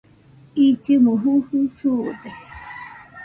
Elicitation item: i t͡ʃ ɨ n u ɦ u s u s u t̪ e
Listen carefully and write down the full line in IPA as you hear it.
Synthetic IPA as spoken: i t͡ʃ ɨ m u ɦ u h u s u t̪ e